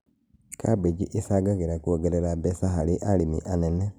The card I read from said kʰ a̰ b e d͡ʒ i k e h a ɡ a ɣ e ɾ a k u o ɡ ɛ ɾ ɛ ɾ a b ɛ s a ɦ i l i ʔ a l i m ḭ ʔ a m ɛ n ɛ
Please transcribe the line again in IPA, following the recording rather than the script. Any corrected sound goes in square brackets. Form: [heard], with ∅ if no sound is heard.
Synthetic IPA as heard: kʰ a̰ b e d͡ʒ i [ʔ] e [s] a ɡ a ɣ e ɾ a k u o ɡ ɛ ɾ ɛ ɾ a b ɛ s a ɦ [a] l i ʔ a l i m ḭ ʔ a [n] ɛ n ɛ